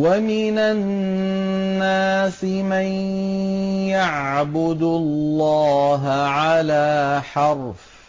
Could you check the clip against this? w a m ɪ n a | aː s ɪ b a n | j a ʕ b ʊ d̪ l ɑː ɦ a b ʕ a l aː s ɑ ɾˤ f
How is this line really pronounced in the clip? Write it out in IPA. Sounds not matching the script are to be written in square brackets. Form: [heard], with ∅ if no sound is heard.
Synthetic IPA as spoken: w a m ɪ n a | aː s ɪ [m] a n | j a ʕ b ʊ d̪ [lː] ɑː ɦ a [∅] ʕ a l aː [ħ] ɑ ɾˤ f